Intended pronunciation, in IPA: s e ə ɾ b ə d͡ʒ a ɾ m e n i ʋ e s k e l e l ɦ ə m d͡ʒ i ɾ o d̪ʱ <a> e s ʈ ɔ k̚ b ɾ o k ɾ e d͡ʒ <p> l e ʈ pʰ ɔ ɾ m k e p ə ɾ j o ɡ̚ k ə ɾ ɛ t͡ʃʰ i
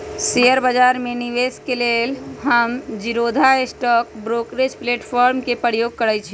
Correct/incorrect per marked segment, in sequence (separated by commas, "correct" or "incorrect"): correct, correct